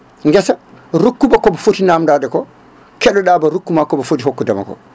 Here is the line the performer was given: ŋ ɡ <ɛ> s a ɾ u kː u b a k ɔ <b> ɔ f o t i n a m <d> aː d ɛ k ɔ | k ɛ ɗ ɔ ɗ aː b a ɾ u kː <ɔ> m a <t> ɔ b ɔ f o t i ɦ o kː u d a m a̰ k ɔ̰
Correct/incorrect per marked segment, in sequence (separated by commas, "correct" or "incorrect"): correct, correct, correct, incorrect, incorrect